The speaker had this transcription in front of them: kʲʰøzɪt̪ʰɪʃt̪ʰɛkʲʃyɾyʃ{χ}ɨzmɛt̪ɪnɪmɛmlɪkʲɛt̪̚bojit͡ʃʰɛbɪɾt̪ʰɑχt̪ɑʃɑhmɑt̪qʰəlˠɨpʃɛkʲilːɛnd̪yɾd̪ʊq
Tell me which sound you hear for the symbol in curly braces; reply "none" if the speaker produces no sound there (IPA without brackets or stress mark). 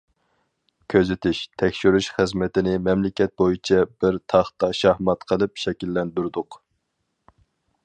χ